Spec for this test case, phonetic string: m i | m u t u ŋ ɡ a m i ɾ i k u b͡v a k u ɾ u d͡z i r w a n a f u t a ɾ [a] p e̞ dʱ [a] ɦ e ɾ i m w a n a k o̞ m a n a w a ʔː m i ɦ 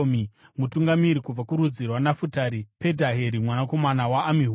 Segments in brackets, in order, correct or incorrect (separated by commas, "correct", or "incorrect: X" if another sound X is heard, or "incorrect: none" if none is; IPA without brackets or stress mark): incorrect: i, correct